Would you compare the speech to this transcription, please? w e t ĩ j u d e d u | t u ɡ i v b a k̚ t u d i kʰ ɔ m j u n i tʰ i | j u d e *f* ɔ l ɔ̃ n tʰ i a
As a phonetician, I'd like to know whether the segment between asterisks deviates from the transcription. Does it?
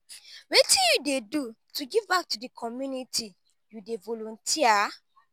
yes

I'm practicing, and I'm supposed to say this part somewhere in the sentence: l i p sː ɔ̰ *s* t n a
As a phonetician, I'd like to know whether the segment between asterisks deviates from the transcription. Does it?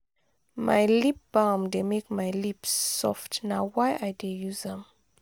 yes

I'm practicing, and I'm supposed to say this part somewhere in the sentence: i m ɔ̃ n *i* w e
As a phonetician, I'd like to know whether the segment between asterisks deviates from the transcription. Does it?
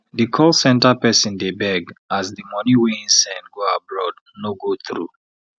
no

